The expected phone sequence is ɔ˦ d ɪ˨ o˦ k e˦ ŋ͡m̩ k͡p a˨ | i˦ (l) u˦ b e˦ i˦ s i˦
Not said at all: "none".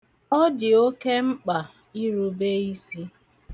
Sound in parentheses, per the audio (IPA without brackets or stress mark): ɾ